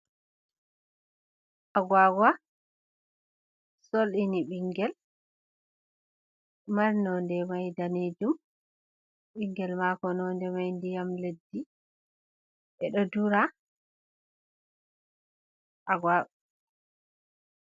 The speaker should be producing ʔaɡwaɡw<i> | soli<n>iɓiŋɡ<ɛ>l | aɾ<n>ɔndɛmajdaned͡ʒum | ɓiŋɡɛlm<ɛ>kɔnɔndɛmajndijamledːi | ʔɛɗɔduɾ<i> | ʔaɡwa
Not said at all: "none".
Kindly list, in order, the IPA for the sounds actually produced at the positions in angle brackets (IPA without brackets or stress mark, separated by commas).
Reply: a, n, ɛ, n, a, a